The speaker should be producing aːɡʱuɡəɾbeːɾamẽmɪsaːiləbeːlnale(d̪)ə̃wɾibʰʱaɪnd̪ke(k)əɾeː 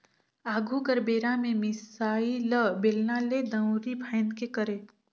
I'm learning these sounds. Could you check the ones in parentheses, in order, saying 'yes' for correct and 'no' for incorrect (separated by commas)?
yes, yes